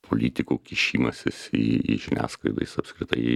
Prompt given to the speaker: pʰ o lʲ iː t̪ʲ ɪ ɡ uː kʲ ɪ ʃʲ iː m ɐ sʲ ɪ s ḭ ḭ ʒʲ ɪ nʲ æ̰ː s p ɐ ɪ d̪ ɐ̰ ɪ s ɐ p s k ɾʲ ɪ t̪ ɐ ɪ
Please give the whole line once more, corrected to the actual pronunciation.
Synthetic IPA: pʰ o lʲ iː t̪ʲ ɪ k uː kʲ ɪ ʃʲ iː m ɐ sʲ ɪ s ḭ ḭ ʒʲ ɪ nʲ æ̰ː s k ɐ ɪ d̪ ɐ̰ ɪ s ɐ p s k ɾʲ ɪ t̪ ɐ ɪ